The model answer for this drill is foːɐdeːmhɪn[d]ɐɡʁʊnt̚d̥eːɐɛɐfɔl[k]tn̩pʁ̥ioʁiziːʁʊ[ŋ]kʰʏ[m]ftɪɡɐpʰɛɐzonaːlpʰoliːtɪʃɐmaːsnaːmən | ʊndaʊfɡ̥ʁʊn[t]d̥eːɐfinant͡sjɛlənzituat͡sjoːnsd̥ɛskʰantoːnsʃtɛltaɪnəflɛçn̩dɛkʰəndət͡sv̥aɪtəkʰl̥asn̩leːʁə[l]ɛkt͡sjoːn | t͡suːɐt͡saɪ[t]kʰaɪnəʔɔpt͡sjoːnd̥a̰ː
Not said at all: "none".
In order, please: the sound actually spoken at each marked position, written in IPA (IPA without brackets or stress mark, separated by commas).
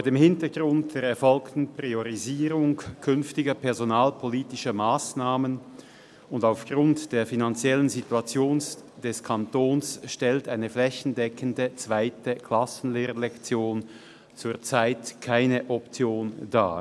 t, k, ŋ, n, t, l, t